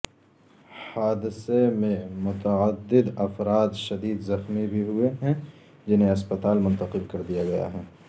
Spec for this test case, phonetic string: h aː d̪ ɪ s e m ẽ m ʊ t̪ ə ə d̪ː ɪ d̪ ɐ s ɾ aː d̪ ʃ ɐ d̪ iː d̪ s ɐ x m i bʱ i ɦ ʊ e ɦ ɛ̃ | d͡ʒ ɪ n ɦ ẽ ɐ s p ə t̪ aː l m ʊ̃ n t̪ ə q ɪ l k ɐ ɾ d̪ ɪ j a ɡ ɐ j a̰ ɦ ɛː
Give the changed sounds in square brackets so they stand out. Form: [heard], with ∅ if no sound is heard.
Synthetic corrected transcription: h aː d̪ ɪ s e m ẽ m ʊ t̪ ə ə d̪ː ɪ d̪ ɐ [f] ɾ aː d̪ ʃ ɐ d̪ iː d̪ [z] ɐ x m i bʱ i ɦ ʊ e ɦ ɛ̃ | d͡ʒ ɪ n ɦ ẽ ɐ s p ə t̪ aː l m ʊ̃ n t̪ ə q ɪ l k ɐ ɾ d̪ [i] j a ɡ ɐ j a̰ ɦ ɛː